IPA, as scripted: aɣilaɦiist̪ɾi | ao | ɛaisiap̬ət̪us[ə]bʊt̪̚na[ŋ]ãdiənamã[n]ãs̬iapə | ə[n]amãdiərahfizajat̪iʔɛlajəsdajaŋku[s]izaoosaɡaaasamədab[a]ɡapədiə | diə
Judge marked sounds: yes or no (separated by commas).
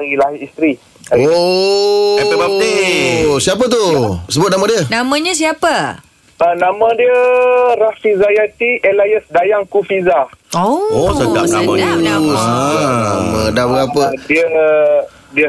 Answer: yes, no, no, yes, no, no